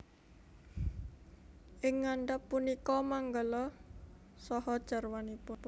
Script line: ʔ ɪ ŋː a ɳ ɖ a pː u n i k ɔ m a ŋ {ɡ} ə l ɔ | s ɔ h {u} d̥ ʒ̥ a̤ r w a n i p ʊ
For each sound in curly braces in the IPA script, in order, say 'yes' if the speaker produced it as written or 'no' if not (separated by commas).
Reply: yes, no